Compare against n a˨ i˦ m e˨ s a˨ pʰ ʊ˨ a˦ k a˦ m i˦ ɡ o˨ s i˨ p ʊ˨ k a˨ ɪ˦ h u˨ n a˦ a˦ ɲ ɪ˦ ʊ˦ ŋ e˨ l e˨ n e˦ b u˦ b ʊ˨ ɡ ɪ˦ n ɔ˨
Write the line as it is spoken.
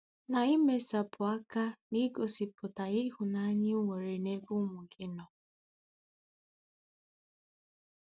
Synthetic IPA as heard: n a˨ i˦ m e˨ s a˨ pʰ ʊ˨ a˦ k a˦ n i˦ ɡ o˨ s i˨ p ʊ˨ t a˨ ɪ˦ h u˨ n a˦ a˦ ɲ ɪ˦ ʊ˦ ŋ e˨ ɾ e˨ n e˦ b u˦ m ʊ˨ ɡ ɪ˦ n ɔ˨